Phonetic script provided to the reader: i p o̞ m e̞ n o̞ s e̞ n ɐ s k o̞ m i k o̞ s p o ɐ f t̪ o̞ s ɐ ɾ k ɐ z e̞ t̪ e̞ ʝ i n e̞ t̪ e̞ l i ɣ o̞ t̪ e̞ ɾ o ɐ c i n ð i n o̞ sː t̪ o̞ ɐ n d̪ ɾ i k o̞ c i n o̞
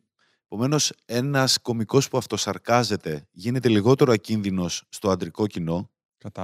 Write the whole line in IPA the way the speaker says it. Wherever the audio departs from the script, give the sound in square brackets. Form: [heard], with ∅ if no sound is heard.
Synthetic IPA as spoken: [e] p o̞ m e̞ n o̞ s e̞ n ɐ s k o̞ m i k o̞ s p [u] ɐ f t̪ o̞ s ɐ ɾ k ɐ z e̞ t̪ e̞ ʝ i n e̞ t̪ e̞ l i ɣ o̞ t̪ e̞ ɾ o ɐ c i n ð i n o̞ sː t̪ o̞ ɐ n d̪ ɾ i k o̞ c i n o̞